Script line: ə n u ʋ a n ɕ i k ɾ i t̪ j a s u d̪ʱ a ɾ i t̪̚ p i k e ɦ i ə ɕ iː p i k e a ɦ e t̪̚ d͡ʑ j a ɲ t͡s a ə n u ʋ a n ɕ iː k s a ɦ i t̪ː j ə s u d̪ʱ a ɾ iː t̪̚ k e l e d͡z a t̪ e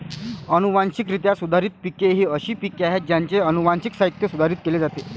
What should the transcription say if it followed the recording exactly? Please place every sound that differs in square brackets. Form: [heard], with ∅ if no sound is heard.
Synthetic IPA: ə n u ʋ a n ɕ i k ɾ i t̪ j a s u d̪ʱ a ɾ i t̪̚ p i k e ɦ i ə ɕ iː p i k e a ɦ e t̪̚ d͡ʑ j a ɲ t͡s [e] ə n u ʋ a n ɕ [i] k s a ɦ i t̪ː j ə s u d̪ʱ a ɾ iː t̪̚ k e l e d͡z a t̪ e